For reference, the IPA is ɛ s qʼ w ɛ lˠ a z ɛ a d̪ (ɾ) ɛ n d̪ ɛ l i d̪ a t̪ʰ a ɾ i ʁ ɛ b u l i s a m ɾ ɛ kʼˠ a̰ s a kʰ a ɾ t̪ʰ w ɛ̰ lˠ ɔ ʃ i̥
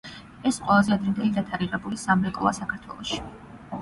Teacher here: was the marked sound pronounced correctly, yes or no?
yes